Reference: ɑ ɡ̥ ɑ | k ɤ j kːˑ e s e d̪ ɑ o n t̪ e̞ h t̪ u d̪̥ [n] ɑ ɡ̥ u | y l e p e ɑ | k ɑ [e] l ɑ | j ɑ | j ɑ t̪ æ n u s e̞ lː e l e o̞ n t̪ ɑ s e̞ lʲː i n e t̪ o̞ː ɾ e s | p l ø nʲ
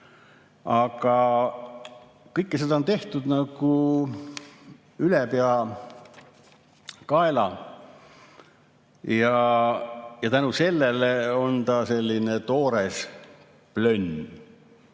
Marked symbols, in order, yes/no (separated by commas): yes, yes